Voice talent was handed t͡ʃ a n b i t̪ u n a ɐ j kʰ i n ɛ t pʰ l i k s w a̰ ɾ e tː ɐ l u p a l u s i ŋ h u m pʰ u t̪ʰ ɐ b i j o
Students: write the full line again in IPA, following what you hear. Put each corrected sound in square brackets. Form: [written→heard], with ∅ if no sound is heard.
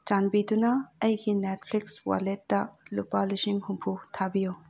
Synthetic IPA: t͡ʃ a n b i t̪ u n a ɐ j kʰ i n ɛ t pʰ l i k s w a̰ [ɾ→l] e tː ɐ l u p a l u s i ŋ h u m pʰ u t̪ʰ [ɐ→a] b i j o